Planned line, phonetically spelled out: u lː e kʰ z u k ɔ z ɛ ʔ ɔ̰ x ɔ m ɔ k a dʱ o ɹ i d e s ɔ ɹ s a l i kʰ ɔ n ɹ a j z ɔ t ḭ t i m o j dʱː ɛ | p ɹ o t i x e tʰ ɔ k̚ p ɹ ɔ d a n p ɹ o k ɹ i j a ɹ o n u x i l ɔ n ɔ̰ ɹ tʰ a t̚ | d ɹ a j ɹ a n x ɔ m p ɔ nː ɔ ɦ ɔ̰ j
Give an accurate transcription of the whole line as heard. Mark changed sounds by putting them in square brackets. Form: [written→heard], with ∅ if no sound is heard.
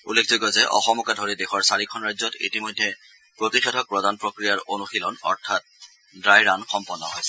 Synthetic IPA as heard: u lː e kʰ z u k ɔ z ɛ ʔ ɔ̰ x ɔ m ɔ k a dʱ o ɹ i d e [s→x] ɔ ɹ s a [l→ɹ] i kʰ ɔ n ɹ a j z ɔ t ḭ t i m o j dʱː ɛ | p ɹ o t i x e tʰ ɔ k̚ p ɹ ɔ d a n p ɹ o k ɹ i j a ɹ o n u x i l ɔ n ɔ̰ ɹ tʰ a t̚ | d ɹ a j ɹ a n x ɔ m p ɔ nː ɔ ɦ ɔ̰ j